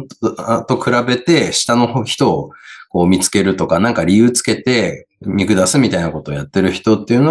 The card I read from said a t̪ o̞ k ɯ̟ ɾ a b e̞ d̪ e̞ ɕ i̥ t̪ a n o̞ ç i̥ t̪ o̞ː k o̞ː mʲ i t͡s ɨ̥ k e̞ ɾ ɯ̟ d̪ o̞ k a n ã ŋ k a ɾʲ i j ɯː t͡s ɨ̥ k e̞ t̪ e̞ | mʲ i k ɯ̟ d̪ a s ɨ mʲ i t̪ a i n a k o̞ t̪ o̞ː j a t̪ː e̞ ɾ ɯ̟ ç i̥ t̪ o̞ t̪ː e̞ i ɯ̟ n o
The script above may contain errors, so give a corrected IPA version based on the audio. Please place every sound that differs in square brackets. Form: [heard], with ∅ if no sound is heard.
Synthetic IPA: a t̪ o̞ k ɯ̟ ɾ a b e̞ [t̪] e̞ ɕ i̥ t̪ a n o̞ ç i̥ t̪ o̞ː k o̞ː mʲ i t͡s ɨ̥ k e̞ ɾ ɯ̟ [t̪] o̞ k a n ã ŋ k a ɾʲ i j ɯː t͡s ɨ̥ k e̞ t̪ e̞ | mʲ i k ɯ̟ d̪ a s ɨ mʲ i t̪ a i n a k o̞ t̪ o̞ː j a t̪ː e̞ ɾ ɯ̟ ç i̥ t̪ o̞ t̪ː e̞ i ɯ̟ n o